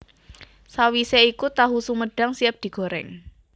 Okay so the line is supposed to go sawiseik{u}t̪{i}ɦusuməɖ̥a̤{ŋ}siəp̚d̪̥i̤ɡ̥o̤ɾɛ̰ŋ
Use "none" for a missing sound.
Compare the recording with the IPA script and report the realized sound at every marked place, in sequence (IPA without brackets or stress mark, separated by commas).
u, a, ŋ